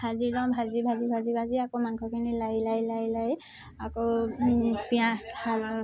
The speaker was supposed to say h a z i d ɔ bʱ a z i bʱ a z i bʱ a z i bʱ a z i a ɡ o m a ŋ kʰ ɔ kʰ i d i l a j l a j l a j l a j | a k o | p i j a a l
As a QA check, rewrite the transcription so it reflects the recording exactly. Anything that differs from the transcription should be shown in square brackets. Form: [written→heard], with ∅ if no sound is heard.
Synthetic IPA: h a z i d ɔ bʱ a z i bʱ a z i bʱ a z i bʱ a z i a [ɡ→k] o m a ŋ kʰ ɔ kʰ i [d→n] i l a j l a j l a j l a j | a k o | p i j a a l

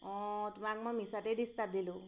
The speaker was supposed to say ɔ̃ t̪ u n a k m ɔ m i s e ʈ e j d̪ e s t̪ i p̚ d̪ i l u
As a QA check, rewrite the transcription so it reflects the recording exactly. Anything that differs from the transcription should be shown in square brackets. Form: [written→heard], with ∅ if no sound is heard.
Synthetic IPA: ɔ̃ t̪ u [n→m] a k m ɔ m i s [e→a] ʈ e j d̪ [e→i] s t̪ [i→a] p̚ d̪ i l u

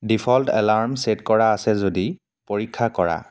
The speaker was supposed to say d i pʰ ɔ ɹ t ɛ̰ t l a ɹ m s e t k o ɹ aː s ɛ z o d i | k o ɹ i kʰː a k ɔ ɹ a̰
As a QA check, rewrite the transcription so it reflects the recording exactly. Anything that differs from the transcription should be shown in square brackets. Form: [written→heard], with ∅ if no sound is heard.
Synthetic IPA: d i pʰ ɔ [ɹ→l] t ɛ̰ [t→∅] l a ɹ m s e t k [o→ɔ] ɹ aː s ɛ z o d i | [k→p] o ɹ i kʰː a k ɔ ɹ a̰

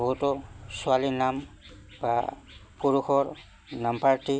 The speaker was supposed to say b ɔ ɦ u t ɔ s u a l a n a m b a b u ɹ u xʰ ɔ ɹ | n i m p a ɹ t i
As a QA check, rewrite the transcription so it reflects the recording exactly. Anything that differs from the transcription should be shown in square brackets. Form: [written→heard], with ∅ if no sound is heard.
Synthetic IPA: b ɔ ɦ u t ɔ s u a l [a→i] n a m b a [b→p] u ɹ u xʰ ɔ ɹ | n [i→a] m p a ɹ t i

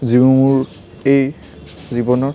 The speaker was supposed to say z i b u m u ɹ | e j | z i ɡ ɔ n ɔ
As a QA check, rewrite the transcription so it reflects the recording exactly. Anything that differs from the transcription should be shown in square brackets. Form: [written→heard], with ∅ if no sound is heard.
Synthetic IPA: z i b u m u ɹ | e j | z i [ɡ→b] ɔ n ɔ

